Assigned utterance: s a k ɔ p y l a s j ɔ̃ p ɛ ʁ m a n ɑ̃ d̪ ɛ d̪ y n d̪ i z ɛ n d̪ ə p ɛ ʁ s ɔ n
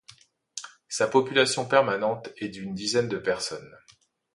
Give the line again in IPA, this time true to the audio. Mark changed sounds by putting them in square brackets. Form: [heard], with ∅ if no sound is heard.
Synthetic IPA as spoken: s a [p] ɔ p y l a s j ɔ̃ p ɛ ʁ m a n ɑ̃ [t̪] ɛ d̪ y n d̪ i z ɛ n d̪ ə p ɛ ʁ s ɔ n